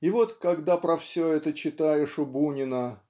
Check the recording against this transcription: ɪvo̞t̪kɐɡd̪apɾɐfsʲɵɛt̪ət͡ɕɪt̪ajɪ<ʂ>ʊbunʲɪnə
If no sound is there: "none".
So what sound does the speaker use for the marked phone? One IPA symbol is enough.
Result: ʂ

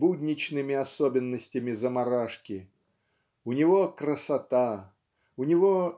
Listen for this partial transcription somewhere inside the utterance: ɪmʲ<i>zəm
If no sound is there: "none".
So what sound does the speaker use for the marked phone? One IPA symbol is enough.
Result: ɪ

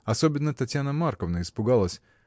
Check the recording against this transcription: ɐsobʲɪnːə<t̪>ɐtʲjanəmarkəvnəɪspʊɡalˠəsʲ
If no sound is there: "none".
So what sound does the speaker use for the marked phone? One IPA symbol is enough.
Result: t̪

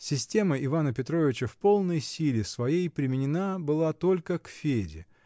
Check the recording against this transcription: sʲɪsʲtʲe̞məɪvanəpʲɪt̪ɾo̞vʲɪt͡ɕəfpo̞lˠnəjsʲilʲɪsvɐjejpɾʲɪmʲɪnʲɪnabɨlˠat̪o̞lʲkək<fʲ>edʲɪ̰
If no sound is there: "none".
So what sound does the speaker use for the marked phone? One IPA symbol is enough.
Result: fʲ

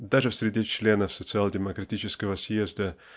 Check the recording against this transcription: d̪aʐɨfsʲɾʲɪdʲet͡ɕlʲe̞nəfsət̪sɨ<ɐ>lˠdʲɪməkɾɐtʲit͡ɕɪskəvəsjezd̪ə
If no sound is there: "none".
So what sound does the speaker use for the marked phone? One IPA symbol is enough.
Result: a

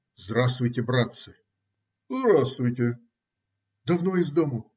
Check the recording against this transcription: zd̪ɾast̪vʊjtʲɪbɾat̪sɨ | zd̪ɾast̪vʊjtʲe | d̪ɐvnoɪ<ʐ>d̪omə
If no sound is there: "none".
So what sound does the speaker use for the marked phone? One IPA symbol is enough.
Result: z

